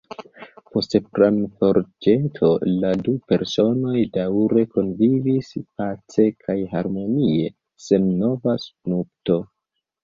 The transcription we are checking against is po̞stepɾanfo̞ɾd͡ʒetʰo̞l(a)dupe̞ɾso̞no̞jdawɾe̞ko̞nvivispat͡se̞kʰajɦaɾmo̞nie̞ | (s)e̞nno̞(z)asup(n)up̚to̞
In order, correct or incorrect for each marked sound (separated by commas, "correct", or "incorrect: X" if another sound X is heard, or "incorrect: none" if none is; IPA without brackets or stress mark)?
correct, correct, incorrect: v, correct